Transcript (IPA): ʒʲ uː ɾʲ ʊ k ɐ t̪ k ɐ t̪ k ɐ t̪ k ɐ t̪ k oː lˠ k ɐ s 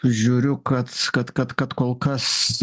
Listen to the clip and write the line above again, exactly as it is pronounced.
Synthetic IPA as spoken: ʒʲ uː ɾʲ ʊ k ɐ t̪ k ɐ t̪ k ɐ t̪ k ɐ t̪ k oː lˠ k ɐ s

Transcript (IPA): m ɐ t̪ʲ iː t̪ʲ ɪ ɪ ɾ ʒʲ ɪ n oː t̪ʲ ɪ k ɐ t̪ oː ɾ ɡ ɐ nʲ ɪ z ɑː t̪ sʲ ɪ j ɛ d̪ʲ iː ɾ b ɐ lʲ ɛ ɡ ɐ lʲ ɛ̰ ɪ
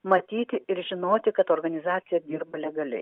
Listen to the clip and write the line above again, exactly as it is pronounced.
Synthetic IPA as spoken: m ɐ t̪ʲ iː t̪ʲ ɪ ɪ ɾ ʒʲ ɪ n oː t̪ʲ ɪ k ɐ t̪ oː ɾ ɡ ɐ nʲ ɪ z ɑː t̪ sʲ ɪ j ɛ d̪ʲ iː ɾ b ɐ lʲ ɛ ɡ ɐ lʲ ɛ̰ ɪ

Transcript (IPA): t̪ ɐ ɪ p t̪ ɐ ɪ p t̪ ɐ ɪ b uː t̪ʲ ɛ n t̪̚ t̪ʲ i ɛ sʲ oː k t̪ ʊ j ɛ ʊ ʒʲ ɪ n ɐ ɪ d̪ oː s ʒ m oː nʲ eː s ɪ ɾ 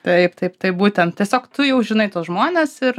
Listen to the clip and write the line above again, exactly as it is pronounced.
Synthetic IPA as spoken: t̪ ɐ ɪ p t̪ ɐ ɪ p t̪ ɐ ɪ b uː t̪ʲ ɛ n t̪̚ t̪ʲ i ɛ sʲ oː k t̪ ʊ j ɛ ʊ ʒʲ ɪ n ɐ ɪ t̪ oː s ʒ m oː nʲ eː s ɪ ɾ

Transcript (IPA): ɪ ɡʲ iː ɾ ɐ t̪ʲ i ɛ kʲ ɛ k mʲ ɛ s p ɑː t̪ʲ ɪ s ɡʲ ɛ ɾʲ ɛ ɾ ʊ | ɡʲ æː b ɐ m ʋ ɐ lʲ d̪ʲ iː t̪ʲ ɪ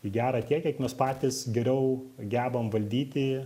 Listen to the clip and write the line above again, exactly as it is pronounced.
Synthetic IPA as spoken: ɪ ɡʲ æː ɾ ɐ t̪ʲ i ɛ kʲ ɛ k mʲ ɛ s p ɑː t̪ʲ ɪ s ɡʲ ɛ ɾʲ ɛ ʊ | ɡʲ æː b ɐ m ʋ ɐ lʲ d̪ʲ iː t̪ʲ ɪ

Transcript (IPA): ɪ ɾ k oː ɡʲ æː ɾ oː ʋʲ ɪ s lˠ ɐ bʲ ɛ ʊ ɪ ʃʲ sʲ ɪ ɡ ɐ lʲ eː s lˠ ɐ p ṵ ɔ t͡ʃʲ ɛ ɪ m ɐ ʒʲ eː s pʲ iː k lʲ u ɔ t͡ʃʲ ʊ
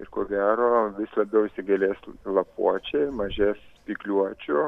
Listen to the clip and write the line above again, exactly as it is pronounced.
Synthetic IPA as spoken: ɪ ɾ k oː ɡʲ æː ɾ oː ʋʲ ɪ s lˠ ɐ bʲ ɛ ʊ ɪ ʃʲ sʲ ɪ ɡ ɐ lʲ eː s lˠ ɐ p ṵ ɔ t͡ʃʲ ɛ ɪ m ɐ ʒʲ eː s pʲ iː k lʲ u ɔ t͡ʃʲ ʊ

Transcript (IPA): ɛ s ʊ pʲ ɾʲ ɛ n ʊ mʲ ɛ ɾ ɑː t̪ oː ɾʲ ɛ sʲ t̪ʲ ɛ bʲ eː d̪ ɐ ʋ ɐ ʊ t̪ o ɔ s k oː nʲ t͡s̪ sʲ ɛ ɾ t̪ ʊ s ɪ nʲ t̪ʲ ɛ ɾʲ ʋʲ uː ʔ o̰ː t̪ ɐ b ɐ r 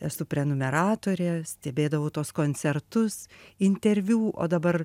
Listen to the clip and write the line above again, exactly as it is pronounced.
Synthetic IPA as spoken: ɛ s ʊ pʲ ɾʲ ɛ n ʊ mʲ ɛ ɾ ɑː t̪ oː ɾʲ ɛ sʲ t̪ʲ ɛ bʲ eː d̪ ɐ ʋ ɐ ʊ t̪ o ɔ s k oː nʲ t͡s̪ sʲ ɛ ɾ t̪ ʊ s ɪ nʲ t̪ʲ ɛ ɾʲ ʋʲ uː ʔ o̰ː d̪ ɐ b ɐ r

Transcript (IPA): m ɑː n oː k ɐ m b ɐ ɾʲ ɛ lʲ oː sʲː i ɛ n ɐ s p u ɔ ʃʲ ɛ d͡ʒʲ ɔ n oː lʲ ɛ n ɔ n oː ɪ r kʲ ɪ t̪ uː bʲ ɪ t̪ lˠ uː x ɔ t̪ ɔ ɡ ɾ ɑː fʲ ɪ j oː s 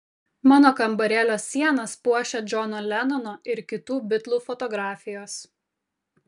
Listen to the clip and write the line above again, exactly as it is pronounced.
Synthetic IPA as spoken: m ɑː n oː k ɐ m b ɐ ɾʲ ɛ lʲ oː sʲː i ɛ n ɐ s p u ɔ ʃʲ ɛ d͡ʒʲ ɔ n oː lʲ ɛ n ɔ n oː ɪ ɾ kʲ ɪ t̪ uː bʲ ɪ t̪ lˠ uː f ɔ t̪ ɔ ɡ ɾ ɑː fʲ ɪ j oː s

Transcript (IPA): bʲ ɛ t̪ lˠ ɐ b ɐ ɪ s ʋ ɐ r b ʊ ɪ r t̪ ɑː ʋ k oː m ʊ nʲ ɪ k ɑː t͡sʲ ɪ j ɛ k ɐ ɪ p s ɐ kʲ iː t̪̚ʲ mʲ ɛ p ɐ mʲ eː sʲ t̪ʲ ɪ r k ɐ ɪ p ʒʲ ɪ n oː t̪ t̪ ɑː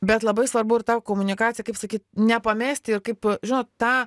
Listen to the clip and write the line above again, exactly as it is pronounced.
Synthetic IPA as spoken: bʲ ɛ t̪ lˠ ɐ b ɐ ɪ s ʋ ɐ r b ʊ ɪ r t̪ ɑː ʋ k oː m ʊ nʲ ɪ k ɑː t͡sʲ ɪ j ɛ k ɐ ɪ p s ɐ kʲ iː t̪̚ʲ nʲ ɛ p ɐ mʲ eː sʲ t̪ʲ ɪ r k ɐ ɪ p ʒʲ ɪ n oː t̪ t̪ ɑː

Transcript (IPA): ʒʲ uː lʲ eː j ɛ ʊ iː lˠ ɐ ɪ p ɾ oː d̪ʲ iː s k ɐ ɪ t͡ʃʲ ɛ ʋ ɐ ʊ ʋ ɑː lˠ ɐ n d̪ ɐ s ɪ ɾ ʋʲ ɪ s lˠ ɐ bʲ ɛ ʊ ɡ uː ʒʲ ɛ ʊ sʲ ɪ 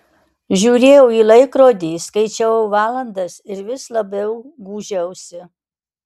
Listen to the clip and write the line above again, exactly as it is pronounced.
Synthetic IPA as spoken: ʒʲ uː ɾʲ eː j ɛ ʊ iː lˠ ɐ ɪ k ɾ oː d̪ʲ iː s k ɐ ɪ t͡ʃʲ ɛ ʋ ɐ ʊ ʋ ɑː lˠ ɐ n d̪ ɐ s ɪ ɾ ʋʲ ɪ s lˠ ɐ bʲ ɛ ʊ ɡ uː ʒʲ ɛ ʊ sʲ ɪ

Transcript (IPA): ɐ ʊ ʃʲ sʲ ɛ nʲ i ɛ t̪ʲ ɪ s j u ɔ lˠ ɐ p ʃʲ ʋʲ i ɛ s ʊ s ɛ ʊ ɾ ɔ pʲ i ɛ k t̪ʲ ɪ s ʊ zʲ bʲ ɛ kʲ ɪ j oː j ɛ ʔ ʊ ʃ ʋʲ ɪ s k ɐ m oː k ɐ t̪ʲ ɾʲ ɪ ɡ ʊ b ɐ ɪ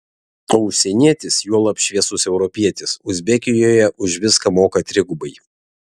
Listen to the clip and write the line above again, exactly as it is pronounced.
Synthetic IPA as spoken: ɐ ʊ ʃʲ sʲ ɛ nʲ i ɛ t̪ʲ ɪ s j u ɔ lˠ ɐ p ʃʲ ʋʲ i ɛ s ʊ s ɛ ʊ ɾ ɔ pʲ i ɛ t̪ʲ ɪ s ʊ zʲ bʲ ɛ kʲ ɪ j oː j ɛ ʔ ʊ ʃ ʋʲ ɪ s k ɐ m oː k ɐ t̪ʲ ɾʲ ɪ ɡ ʊ b ɐ ɪ

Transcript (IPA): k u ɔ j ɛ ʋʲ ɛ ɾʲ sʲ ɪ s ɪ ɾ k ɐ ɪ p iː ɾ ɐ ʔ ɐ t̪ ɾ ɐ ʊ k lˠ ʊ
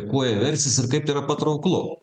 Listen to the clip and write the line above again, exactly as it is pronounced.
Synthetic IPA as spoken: k u ɔ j ɛ ʋʲ ɛ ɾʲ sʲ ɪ s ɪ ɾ k ɐ ɪ p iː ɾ ɐ p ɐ t̪ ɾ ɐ ʊ k lˠ ʊ

